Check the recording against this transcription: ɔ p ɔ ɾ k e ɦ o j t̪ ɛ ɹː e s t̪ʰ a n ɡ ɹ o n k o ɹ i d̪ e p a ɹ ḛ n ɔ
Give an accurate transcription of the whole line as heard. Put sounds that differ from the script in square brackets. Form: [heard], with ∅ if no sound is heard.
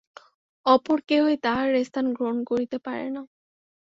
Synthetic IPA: ɔ p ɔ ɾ k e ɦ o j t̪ [a] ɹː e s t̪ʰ a n ɡ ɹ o n k o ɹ i [t̪] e p a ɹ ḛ n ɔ